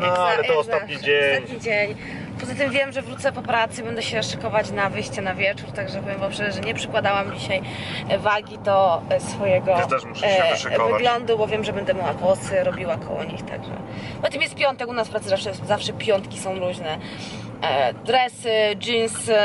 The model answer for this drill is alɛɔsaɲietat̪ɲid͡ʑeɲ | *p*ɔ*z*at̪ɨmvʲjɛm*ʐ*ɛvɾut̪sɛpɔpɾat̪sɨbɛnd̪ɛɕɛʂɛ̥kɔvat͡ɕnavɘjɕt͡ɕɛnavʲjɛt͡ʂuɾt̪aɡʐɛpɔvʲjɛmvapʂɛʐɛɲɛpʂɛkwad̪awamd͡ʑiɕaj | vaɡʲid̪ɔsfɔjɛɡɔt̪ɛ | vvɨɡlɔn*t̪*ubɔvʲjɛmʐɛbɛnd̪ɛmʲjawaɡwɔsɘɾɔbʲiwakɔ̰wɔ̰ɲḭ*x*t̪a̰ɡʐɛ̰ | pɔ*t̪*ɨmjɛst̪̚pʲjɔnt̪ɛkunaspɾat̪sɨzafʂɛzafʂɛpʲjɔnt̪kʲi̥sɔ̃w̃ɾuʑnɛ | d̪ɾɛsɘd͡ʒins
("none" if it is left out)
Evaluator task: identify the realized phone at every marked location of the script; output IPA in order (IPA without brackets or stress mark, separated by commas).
p, z, ʐ, d̪, x, t̪